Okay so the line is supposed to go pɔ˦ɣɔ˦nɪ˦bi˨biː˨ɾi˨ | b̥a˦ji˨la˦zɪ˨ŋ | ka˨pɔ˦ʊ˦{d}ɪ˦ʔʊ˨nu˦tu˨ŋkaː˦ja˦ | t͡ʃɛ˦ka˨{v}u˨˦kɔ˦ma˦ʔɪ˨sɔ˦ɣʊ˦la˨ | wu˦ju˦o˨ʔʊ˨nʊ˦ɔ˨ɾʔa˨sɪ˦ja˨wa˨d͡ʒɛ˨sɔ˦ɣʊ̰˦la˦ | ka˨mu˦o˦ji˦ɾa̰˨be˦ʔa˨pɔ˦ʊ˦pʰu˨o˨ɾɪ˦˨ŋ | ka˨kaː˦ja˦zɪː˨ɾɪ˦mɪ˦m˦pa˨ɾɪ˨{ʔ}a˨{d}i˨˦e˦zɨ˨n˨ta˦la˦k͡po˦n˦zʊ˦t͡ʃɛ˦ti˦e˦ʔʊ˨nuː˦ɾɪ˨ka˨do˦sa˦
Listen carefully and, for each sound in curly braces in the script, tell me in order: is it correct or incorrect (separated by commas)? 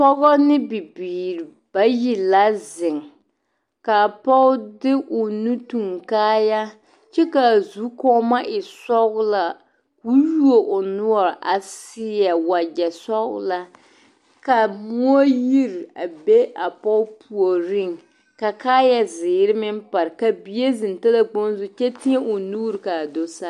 correct, incorrect, incorrect, incorrect